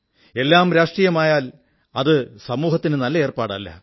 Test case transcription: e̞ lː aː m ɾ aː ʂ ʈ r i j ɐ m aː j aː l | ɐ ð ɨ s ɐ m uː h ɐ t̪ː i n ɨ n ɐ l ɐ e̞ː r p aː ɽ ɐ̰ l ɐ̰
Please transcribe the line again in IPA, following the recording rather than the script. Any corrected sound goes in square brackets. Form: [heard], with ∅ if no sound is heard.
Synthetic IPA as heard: e̞ lː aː m ɾ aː ʂ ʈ r i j ɐ m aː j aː l | ɐ ð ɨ s ɐ m uː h ɐ t̪ː i n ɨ n ɐ [lː] ɐ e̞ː r p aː ɽ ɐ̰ [lː] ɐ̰